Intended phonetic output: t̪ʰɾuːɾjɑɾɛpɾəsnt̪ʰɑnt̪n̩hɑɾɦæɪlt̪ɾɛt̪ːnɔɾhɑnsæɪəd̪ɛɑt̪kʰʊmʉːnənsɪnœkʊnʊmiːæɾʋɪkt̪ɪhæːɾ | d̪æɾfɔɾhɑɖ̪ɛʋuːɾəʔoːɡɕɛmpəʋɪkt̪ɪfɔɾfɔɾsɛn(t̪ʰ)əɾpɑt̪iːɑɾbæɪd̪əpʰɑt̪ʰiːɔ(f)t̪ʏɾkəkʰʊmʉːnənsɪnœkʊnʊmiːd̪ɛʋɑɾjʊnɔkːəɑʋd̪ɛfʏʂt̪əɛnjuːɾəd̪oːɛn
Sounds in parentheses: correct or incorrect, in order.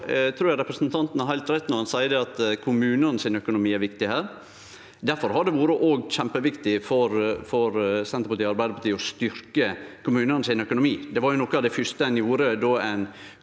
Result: incorrect, incorrect

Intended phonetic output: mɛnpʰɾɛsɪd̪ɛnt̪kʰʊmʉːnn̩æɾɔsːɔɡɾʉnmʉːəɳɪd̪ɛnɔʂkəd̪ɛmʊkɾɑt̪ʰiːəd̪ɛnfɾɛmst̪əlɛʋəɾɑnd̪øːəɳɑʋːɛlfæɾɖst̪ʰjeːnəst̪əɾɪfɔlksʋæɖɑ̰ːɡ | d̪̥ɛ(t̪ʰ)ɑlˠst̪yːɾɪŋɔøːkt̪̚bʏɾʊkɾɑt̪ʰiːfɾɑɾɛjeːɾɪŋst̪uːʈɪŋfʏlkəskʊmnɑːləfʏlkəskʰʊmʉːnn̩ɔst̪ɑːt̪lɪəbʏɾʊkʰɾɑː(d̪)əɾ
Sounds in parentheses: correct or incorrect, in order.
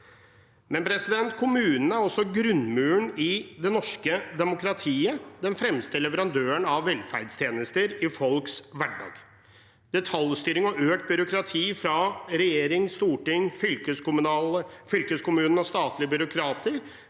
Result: correct, incorrect

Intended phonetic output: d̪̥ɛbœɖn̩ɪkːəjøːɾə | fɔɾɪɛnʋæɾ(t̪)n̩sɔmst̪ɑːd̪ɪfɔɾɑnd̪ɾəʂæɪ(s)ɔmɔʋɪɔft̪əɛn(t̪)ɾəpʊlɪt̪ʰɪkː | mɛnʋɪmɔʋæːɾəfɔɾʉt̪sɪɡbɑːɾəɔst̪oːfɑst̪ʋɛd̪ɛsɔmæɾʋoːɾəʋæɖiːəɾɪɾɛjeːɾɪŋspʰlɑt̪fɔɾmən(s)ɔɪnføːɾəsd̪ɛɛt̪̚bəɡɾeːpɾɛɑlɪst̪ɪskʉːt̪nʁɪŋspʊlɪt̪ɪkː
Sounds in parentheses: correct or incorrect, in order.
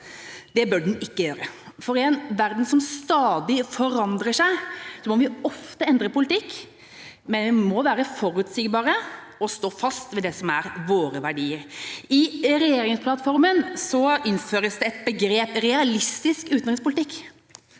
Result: incorrect, correct, incorrect, correct

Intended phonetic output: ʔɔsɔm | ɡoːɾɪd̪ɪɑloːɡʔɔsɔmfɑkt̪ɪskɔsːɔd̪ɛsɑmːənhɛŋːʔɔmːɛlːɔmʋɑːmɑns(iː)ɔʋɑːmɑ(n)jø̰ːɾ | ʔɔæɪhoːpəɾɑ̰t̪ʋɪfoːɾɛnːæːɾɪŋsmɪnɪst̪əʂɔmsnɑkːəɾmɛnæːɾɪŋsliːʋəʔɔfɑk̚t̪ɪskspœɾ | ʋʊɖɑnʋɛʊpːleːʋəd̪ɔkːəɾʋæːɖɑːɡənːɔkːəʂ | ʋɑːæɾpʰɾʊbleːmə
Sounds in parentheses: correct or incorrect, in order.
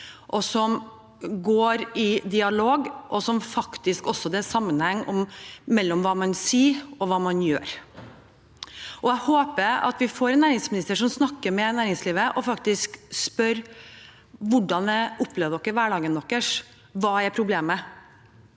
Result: correct, correct

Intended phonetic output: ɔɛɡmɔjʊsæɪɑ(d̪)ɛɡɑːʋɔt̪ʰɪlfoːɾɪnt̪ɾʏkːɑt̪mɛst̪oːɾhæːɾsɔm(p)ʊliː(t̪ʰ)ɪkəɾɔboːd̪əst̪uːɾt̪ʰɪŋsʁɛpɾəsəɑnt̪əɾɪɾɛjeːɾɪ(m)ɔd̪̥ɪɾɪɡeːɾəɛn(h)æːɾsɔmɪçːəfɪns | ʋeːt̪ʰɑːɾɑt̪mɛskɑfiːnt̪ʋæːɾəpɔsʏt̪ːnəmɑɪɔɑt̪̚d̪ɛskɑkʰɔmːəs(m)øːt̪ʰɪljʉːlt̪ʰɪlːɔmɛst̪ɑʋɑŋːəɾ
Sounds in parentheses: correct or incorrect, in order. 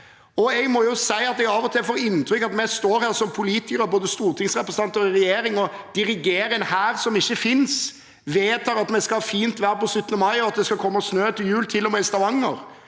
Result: incorrect, incorrect, incorrect, incorrect, correct, incorrect

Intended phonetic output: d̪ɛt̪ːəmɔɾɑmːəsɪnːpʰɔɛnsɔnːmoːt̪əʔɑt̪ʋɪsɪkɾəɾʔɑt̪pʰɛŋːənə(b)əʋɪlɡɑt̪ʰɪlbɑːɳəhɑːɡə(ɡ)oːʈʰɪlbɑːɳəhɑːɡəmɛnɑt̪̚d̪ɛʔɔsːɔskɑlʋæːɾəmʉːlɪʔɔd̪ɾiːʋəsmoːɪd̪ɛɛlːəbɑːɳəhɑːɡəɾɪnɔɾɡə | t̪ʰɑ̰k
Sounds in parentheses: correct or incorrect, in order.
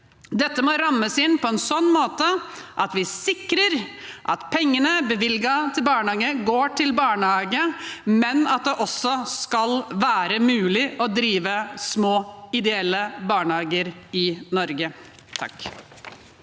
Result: correct, correct

